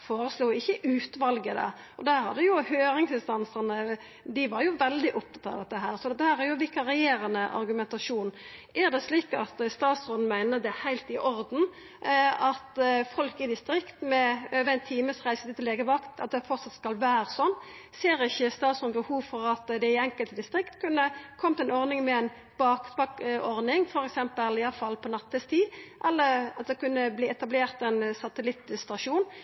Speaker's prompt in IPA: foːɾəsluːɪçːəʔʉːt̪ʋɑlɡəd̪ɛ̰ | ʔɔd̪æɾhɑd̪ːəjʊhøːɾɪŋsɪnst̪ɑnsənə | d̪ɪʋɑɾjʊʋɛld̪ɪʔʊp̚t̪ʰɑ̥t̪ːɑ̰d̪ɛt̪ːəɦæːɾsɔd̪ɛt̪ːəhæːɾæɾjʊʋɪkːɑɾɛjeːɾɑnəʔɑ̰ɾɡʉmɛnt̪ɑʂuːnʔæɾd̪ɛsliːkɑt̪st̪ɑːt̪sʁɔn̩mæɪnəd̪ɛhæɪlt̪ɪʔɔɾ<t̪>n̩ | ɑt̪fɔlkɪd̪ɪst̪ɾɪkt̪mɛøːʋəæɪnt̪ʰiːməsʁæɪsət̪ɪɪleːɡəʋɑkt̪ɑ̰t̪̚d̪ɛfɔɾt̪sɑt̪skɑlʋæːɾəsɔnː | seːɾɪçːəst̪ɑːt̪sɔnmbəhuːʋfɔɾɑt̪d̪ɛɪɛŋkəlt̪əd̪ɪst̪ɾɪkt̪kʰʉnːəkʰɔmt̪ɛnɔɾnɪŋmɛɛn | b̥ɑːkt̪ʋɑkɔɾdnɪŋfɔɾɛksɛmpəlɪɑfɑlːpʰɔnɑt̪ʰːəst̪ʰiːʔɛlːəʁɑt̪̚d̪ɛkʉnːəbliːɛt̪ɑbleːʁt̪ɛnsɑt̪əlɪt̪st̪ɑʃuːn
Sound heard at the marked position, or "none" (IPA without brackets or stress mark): d̪